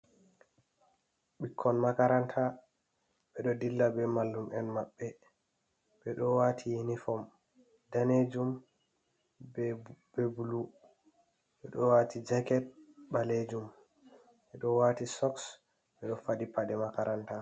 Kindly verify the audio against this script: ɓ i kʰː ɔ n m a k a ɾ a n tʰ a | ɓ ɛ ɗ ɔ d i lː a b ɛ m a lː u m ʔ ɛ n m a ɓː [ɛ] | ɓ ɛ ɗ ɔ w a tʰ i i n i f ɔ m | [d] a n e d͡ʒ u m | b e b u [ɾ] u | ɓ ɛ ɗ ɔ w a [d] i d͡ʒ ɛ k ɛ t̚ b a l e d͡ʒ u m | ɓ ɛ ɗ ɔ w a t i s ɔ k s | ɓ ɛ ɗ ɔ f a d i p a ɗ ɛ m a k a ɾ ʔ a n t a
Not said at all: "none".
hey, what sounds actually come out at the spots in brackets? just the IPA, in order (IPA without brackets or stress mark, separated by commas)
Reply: ɛ, d, l, t